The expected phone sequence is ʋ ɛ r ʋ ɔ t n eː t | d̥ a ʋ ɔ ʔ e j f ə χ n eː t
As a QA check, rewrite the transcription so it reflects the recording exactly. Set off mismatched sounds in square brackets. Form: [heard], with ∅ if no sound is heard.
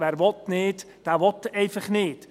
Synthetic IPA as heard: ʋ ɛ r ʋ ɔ t n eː t | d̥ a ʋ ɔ [t] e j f ə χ n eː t

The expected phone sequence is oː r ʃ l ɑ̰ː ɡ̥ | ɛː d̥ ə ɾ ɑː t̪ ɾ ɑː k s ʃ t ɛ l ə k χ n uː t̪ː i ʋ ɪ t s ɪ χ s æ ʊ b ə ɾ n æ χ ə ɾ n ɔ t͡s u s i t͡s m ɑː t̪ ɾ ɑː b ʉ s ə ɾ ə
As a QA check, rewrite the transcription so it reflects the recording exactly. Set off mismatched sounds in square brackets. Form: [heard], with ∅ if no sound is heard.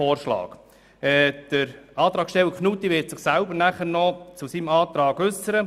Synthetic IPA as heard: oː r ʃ l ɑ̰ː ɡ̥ | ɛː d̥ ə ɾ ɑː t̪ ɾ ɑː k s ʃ t ɛ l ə k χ n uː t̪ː i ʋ ɪ t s ɪ χ s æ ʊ b ə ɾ n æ χ ə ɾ n ɔ t͡s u s i [∅] m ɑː t̪ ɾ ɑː [ɡ] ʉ s ə ɾ ə

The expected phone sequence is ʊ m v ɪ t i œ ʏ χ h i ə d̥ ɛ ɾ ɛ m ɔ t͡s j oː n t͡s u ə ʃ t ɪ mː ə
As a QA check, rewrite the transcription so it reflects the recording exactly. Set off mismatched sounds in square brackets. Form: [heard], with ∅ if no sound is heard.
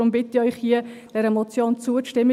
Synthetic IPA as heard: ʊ m [b] ɪ t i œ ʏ χ h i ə d̥ ɛ ɾ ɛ m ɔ t͡s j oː n t͡s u ə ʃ t ɪ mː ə

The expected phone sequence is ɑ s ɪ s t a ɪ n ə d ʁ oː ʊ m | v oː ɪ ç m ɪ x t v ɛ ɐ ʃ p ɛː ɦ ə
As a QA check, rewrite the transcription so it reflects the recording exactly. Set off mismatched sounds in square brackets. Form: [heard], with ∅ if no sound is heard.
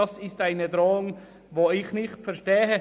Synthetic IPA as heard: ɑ s ɪ s t a ɪ n ə d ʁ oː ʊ [ŋ] | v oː ɪ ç [n] ɪ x t [f] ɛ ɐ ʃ [t] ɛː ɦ ə

